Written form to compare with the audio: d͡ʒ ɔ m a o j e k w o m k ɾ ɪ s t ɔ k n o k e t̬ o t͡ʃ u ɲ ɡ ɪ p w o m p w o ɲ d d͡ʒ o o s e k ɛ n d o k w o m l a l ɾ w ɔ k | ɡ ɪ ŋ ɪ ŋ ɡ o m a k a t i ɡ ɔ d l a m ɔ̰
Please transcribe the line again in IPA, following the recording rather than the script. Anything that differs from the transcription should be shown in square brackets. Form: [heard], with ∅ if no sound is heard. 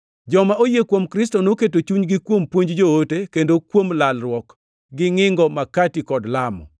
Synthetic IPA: d͡ʒ ɔ m a o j e k w o m k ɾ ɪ s t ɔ [∅] n o k e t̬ o t͡ʃ u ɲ ɡ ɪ [k] w o m p w o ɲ [d͡ʒ] d͡ʒ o o [t] e k [e] n d o k w o m l a l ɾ w ɔ k | ɡ ɪ ŋ ɪ ŋ ɡ [ɔ] m a k a t i [k] ɔ d l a m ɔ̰